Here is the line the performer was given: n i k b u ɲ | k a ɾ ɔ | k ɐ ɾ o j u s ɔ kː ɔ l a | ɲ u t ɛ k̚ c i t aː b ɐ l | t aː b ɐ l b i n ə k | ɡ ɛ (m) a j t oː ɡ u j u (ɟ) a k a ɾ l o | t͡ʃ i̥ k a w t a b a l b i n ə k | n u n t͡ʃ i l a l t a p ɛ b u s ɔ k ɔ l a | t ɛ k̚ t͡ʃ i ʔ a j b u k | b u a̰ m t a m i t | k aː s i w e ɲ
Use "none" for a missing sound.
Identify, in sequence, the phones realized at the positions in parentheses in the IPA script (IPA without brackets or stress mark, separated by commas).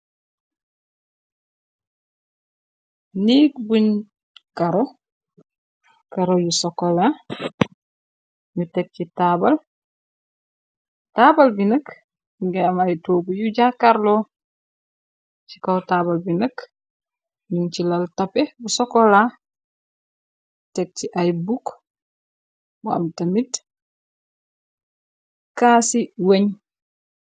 m, ɟ